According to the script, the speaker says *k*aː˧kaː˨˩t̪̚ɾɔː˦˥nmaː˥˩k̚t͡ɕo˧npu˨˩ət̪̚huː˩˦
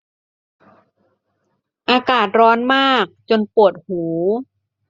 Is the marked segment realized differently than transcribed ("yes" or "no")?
yes